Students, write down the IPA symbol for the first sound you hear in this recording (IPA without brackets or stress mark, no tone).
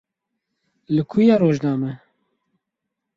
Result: l